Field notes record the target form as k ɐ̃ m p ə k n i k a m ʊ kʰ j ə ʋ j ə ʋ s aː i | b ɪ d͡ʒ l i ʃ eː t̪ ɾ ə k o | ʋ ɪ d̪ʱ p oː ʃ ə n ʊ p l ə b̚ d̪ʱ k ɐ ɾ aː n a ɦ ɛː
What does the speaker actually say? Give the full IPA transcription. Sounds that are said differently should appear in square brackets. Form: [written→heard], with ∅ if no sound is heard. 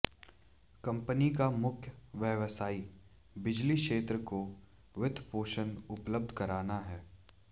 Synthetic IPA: k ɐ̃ m p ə [k→∅] n i k a m ʊ kʰ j ə ʋ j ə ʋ s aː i | b ɪ d͡ʒ l i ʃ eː t̪ ɾ ə k o | ʋ ɪ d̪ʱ p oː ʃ ə n ʊ p l ə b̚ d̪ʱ k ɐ ɾ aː n a ɦ ɛː